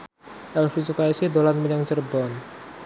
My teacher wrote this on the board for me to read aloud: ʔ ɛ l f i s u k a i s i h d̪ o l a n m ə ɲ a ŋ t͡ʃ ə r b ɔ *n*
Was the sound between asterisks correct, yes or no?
yes